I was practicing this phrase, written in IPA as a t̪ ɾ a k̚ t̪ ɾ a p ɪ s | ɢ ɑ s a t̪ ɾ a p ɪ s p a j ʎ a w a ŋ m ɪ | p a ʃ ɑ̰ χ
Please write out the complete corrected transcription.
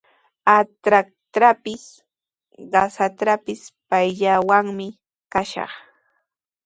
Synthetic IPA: a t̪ ɾ a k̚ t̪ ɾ a p ɪ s | ɢ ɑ s a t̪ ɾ a p ɪ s p a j ʎ a w a ŋ m ɪ | k a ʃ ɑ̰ χ